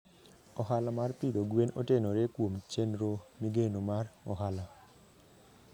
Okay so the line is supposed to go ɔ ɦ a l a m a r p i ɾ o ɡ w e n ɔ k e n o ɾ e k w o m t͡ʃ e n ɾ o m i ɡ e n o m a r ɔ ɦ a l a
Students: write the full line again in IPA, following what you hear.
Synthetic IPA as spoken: ɔ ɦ a l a m a r p i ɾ o ɡ w e n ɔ t e n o ɾ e k w o m t͡ʃ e n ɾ o m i ɡ e n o m a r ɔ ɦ a l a